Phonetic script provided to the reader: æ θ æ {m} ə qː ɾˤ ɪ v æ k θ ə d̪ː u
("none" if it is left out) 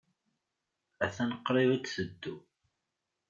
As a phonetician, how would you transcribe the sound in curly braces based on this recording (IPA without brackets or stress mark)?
n